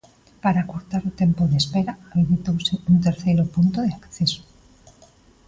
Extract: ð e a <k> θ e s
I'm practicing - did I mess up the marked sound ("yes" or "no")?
no